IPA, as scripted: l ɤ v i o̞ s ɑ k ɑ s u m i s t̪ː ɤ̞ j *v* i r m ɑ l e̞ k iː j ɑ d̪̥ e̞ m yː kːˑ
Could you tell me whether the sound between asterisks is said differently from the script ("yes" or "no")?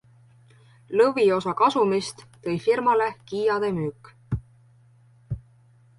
yes